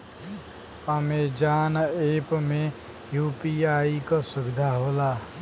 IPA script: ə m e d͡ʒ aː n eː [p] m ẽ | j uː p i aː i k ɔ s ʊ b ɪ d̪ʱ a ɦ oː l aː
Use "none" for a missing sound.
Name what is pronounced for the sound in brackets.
p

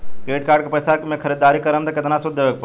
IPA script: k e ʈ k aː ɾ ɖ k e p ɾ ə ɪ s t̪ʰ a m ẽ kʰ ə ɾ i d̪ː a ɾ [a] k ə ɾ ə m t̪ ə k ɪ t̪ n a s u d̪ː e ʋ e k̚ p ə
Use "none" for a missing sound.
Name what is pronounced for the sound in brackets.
i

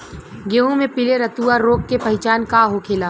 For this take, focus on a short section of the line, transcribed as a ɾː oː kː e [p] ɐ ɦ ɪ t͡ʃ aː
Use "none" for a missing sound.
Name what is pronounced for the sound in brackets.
p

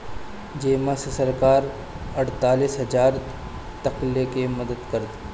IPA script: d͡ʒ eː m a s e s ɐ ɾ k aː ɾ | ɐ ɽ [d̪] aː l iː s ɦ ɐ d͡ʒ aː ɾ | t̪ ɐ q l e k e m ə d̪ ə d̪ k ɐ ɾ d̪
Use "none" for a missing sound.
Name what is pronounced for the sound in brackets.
t̪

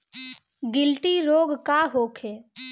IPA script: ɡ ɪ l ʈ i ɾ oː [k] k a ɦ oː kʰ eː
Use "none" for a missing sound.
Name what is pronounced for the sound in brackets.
ɡ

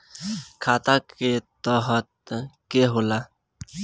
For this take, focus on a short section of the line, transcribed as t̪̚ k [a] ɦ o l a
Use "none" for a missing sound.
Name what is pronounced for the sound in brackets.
e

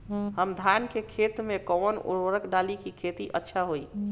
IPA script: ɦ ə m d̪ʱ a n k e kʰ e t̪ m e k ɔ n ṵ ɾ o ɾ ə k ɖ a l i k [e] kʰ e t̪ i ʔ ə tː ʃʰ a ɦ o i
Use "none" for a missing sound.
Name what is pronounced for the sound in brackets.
i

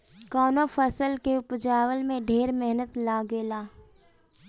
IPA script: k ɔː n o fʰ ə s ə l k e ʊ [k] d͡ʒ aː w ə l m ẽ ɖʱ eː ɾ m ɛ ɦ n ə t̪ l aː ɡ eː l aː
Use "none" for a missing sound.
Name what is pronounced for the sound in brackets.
p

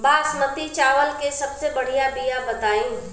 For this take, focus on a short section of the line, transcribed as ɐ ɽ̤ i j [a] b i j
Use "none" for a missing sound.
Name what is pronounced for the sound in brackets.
a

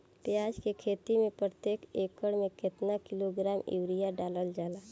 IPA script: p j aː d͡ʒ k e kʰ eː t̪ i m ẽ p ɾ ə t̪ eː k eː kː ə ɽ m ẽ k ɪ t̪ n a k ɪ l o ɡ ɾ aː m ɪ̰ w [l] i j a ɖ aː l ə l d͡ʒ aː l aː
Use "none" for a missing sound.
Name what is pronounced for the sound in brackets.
ɾ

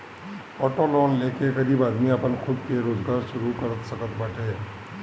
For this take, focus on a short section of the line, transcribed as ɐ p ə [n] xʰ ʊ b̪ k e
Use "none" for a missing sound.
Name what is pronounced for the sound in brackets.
n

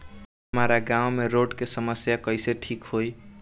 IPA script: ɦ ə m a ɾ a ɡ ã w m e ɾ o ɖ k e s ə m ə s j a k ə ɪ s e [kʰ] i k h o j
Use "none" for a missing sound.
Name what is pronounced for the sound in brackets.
ʈʰ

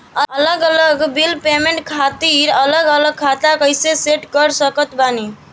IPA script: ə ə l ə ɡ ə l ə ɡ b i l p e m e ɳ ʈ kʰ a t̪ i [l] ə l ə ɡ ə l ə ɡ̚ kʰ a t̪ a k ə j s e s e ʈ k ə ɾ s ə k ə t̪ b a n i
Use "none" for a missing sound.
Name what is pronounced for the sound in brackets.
ɾ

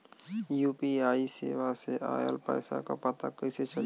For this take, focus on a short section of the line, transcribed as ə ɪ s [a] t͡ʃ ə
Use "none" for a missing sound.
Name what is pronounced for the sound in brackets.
e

